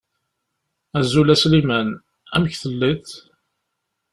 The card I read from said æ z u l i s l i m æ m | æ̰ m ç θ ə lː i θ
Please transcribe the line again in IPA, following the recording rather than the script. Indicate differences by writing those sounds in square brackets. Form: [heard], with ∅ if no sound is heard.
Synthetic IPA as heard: æ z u l [æ] s l i m æ [n] | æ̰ m ç θ ə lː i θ